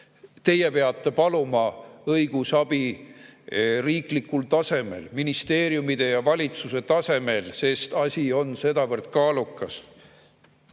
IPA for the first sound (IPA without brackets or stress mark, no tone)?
t̪